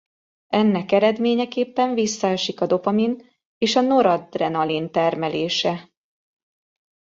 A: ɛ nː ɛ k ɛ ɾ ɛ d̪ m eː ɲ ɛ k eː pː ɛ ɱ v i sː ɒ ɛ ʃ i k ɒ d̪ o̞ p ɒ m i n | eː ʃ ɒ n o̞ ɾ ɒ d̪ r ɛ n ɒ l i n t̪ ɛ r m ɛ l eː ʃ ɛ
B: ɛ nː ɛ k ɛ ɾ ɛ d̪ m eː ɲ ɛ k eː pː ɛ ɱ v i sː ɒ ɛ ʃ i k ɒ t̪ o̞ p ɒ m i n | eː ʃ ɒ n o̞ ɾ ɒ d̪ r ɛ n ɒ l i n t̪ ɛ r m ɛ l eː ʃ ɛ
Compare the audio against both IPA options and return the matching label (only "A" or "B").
A